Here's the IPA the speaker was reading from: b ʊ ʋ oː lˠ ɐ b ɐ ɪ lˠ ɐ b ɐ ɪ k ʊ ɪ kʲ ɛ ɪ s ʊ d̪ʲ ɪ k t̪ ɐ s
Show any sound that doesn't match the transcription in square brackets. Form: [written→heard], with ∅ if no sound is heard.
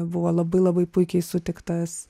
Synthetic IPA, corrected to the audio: b ʊ ʋ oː lˠ ɐ b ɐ ɪ lˠ ɐ b ɐ ɪ [k→p] ʊ ɪ kʲ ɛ ɪ s ʊ [d̪ʲ→t̪ʲ] ɪ k t̪ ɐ s